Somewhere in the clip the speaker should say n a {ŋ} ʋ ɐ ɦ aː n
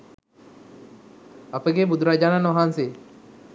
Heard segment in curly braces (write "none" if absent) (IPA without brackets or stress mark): n